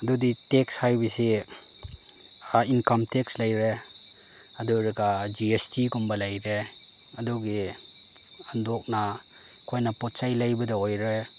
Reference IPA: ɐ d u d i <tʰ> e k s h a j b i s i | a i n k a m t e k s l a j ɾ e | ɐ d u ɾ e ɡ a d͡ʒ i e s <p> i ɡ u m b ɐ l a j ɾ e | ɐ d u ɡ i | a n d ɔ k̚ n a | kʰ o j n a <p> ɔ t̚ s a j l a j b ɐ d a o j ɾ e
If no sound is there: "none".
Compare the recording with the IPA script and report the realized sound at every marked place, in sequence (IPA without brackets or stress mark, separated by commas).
t, t, p